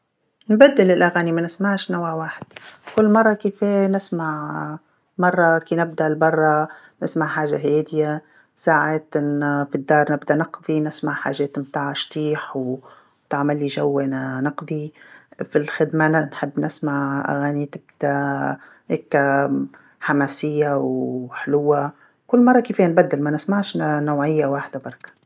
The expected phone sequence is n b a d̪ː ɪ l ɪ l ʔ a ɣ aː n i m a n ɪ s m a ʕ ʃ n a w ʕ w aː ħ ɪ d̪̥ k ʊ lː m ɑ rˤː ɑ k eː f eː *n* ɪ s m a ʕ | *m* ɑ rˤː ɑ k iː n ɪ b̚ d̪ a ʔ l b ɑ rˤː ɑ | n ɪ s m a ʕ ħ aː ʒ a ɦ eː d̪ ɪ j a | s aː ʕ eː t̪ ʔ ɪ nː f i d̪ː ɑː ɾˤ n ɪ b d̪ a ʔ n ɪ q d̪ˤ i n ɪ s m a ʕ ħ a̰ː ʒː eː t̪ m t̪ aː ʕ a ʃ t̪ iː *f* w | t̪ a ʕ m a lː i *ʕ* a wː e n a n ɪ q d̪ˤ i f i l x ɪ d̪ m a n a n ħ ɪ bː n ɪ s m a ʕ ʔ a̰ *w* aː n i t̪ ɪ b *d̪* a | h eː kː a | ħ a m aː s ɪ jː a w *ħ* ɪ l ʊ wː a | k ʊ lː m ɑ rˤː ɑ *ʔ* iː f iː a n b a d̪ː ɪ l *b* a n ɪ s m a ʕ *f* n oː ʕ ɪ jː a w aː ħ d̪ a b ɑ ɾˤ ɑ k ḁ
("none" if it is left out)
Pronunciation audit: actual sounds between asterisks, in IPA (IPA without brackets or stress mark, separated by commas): n, m, ħ, ʒ, ɣ, d̪, ħ, k, m, ʃ